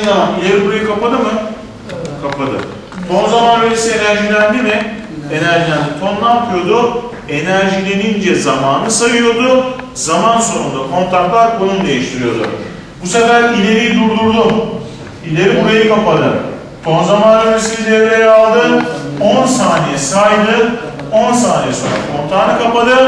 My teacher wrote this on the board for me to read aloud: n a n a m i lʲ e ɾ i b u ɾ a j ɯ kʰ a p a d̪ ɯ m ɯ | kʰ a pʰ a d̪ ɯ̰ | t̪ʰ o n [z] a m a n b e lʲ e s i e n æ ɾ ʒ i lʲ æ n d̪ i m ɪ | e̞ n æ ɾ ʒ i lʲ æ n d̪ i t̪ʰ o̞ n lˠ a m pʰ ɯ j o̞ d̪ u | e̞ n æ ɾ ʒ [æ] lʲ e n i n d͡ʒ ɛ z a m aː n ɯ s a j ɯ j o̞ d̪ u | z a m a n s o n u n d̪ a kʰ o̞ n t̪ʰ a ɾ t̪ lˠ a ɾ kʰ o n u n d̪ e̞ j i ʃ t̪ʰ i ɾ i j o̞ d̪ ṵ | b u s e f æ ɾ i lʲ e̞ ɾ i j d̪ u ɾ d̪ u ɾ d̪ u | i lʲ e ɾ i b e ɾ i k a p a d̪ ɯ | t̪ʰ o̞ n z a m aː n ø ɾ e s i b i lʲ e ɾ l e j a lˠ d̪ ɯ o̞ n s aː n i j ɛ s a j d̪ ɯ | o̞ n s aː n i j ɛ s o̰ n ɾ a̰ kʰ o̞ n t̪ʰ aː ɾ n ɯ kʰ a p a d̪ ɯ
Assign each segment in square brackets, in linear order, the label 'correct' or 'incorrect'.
correct, incorrect: i

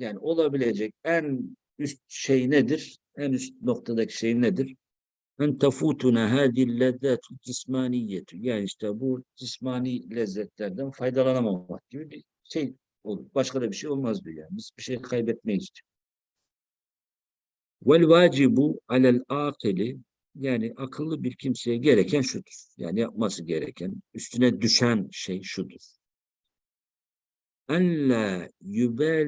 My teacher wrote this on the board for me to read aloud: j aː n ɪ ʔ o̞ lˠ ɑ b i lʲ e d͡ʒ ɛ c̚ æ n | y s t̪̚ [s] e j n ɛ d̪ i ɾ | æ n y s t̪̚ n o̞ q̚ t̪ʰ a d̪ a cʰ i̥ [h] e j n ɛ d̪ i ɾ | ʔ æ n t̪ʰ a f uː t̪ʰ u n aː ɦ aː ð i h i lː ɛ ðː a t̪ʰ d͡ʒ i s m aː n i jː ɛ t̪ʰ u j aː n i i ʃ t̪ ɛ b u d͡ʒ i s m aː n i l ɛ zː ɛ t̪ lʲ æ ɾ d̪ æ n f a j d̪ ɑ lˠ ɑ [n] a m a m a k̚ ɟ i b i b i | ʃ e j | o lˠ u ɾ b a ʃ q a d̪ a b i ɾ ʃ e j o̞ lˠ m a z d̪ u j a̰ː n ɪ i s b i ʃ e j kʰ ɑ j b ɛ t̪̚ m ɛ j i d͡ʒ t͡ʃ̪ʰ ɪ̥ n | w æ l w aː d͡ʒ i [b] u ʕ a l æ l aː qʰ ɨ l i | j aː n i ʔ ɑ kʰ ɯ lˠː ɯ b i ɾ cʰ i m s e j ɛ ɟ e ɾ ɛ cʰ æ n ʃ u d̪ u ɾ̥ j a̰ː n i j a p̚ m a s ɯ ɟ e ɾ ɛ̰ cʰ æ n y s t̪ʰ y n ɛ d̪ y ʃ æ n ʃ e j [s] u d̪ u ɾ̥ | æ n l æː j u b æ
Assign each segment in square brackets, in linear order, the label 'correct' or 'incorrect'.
incorrect: ʃ, incorrect: ʃ, correct, correct, incorrect: ʃ

